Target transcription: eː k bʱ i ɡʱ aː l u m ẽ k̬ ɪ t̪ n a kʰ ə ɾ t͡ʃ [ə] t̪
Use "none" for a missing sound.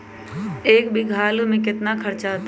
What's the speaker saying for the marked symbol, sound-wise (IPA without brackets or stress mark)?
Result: a